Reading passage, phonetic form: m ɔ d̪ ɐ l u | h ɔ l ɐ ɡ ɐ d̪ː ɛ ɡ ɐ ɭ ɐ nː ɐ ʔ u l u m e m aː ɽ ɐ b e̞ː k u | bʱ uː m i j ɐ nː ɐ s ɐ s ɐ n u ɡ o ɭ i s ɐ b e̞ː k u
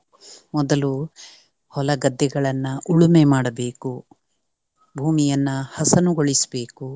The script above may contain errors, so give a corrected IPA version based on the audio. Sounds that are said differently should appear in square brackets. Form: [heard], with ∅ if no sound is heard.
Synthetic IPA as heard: m ɔ d̪ ɐ l u | h ɔ l ɐ ɡ ɐ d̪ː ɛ ɡ ɐ ɭ ɐ nː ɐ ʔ u [ɭ] u m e m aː ɽ ɐ b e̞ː k u | bʱ uː m i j ɐ nː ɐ [h] ɐ s ɐ n u ɡ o ɭ i s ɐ b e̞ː k u